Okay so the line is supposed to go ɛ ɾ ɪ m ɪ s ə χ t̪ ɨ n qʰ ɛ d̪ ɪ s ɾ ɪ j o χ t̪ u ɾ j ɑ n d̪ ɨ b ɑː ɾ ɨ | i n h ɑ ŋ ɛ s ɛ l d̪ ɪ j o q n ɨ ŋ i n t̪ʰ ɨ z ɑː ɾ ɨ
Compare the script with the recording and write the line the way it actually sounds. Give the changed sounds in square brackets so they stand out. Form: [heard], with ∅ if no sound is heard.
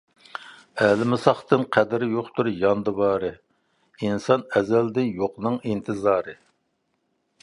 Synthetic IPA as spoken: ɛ [l] ɪ m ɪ s [ɑ] χ t̪ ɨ n qʰ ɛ d̪ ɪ [∅] ɾ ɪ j o χ t̪ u ɾ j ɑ n d̪ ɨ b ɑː ɾ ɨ | i n [s] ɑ [n] ɛ [z] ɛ l d̪ ɪ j o q n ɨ ŋ i n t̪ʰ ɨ z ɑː ɾ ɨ